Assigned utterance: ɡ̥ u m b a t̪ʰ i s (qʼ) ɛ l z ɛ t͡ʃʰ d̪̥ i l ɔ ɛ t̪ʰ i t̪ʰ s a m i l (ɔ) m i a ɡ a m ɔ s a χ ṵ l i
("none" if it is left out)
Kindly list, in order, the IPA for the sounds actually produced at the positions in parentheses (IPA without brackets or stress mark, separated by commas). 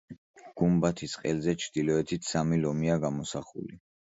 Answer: qʼ, ɔ